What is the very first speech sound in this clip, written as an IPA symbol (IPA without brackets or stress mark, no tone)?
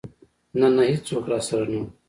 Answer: n